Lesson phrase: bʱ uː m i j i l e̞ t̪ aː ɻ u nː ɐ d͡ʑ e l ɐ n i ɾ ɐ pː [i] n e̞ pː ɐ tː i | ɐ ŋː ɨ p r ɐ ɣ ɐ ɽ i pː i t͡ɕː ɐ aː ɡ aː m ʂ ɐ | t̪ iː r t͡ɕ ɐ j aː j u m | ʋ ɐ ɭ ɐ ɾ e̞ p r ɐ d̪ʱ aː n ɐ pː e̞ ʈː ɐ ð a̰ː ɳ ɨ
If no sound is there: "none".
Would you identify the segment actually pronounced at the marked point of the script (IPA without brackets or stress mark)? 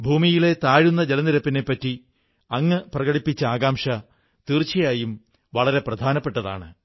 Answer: i